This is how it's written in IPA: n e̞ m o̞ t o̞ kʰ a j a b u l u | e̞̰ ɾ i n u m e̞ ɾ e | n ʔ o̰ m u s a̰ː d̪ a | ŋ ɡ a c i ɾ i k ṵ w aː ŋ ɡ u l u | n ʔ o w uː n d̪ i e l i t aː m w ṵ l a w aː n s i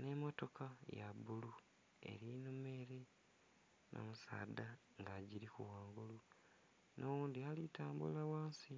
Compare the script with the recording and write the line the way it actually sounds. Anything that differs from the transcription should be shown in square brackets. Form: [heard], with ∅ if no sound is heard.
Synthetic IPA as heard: n e̞ m o̞ t o̞ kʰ a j a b u l u | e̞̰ ɾ i n u m e̞ ɾ e | n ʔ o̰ m u s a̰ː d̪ a | ŋ ɡ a [ɟ] i ɾ i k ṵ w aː ŋ ɡ u l u | n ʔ o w uː n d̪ i [a] l i t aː m [b] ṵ l a w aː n s i